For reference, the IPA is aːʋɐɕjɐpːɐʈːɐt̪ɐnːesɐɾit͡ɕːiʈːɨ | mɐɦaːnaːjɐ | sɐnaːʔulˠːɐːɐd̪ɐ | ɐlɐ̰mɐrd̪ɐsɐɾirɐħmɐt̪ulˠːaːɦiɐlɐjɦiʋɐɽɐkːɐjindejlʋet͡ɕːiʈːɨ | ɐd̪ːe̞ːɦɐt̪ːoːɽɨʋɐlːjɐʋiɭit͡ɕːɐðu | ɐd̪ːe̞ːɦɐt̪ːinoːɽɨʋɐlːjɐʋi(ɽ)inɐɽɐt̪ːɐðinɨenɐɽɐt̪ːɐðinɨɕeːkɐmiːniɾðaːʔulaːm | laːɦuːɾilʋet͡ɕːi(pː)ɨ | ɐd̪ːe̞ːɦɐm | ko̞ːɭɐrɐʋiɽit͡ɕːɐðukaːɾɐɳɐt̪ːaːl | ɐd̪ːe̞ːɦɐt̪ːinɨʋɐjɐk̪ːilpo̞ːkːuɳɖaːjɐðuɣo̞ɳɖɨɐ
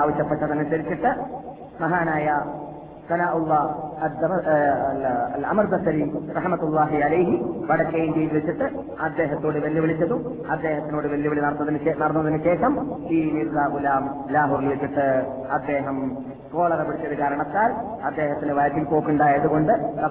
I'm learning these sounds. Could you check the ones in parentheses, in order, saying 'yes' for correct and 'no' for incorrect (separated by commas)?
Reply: no, no